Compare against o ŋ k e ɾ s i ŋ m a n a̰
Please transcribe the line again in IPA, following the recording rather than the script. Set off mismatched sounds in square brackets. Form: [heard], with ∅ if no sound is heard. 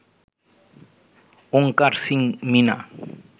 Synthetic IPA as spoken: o ŋ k [a] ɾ s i ŋ m [i] n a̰